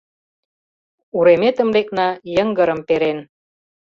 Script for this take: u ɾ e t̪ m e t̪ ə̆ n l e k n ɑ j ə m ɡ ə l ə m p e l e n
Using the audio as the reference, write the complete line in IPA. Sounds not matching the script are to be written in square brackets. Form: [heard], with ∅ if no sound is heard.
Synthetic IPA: u ɾ e [∅] m e t̪ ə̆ [m] l e k n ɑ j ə [ŋ] ɡ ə [ɾ] ə m p e [ɾ] e n